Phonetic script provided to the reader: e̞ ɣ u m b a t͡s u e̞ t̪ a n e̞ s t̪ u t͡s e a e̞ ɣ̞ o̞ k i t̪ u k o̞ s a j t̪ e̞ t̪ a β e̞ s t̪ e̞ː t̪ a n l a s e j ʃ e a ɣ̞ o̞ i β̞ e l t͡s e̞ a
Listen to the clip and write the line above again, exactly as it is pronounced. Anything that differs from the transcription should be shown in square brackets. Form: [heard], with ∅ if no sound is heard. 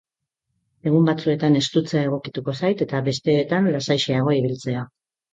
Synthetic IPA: e̞ ɣ u m b a t͡s u e̞ t̪ a n e̞ s t̪ u t͡s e a e̞ ɣ̞ o̞ k i t̪ u k o̞ s a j t̪ e̞ t̪ a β e̞ s t̪ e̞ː t̪ a n l a s [a] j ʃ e a ɣ̞ o̞ i β̞ [i] l t͡s e̞ a